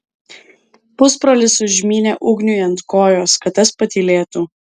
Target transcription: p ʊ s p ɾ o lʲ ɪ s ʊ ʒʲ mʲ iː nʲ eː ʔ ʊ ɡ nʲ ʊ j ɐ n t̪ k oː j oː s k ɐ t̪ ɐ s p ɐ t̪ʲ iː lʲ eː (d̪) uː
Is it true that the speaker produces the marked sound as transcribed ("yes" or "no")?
no